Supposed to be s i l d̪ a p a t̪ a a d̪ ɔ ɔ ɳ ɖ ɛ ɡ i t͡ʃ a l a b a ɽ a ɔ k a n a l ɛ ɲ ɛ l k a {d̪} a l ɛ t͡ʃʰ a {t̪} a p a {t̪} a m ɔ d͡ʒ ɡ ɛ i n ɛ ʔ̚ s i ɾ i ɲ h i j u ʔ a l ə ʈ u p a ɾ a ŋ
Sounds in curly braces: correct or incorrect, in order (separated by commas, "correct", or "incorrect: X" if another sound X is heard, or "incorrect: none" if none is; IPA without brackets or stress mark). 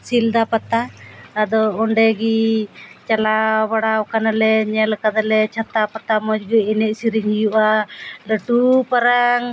correct, correct, correct